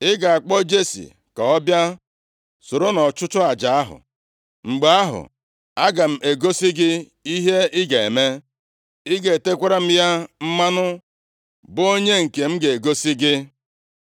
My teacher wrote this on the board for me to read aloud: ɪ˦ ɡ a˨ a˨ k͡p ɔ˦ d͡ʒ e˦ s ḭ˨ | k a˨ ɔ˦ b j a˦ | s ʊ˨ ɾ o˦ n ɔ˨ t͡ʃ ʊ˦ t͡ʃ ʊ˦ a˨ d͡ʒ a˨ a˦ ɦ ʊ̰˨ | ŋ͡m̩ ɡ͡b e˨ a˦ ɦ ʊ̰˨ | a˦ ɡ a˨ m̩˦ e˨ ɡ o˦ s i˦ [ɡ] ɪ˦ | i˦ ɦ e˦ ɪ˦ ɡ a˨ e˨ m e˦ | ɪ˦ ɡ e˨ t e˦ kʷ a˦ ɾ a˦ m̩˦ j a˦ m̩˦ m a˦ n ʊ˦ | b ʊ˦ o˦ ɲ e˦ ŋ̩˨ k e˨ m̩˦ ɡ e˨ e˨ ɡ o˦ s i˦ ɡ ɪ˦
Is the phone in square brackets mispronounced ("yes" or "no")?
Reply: no